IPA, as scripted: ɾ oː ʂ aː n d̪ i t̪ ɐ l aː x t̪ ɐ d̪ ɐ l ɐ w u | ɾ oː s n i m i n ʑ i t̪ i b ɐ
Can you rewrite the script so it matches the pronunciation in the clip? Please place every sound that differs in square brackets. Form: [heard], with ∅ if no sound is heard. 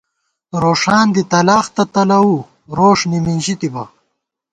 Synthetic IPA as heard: ɾ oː ʂ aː n d̪ i t̪ ɐ l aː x t̪ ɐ [t̪] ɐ l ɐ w u | ɾ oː [ʂ] n i m i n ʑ i t̪ i b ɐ